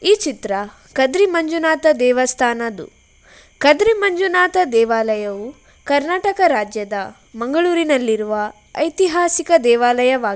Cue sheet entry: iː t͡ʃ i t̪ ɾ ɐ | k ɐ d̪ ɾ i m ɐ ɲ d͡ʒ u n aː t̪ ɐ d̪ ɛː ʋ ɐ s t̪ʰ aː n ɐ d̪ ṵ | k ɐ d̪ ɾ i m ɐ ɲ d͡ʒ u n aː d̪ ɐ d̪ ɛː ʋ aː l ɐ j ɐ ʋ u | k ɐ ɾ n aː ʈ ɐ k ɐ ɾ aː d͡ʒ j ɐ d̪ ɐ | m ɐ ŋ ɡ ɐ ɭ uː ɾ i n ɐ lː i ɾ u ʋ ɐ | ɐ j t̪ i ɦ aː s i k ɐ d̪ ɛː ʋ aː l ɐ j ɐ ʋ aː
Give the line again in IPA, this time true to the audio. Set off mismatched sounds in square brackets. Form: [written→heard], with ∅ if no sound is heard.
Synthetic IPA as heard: iː t͡ʃ i t̪ ɾ ɐ | k ɐ d̪ ɾ i m ɐ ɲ d͡ʒ u n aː t̪ ɐ d̪ ɛː ʋ ɐ s t̪ʰ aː n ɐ d̪ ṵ | k ɐ d̪ ɾ i m ɐ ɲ d͡ʒ u n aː [d̪→t̪] ɐ d̪ ɛː ʋ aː l ɐ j ɐ ʋ u | k ɐ ɾ n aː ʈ ɐ k ɐ ɾ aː d͡ʒ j ɐ d̪ ɐ | m ɐ ŋ ɡ ɐ ɭ uː ɾ i n ɐ lː i ɾ u ʋ ɐ | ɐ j t̪ i ɦ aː s i k ɐ d̪ ɛː ʋ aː l ɐ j ɐ ʋ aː